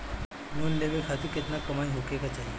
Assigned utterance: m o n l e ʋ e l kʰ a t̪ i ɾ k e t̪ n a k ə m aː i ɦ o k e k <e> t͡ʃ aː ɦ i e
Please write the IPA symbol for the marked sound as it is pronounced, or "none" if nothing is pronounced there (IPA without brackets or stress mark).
a